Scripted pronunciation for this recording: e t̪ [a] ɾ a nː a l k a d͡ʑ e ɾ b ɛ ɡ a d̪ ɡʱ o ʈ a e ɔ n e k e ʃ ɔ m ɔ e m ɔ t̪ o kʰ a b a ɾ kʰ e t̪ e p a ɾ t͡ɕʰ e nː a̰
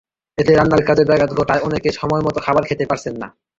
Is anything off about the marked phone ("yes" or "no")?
yes